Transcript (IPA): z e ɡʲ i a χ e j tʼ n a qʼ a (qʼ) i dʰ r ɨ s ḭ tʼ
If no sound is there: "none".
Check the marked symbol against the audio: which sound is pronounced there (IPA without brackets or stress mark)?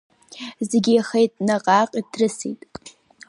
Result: qʼ